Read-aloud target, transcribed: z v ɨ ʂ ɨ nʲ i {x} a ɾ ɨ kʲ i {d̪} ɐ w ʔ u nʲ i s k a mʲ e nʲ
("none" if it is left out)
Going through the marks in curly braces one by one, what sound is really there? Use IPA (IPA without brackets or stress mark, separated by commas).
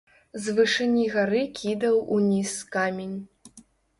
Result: ɣ, d̪